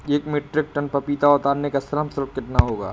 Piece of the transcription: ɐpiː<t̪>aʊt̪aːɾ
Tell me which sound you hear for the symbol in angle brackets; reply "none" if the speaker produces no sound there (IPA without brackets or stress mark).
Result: t̪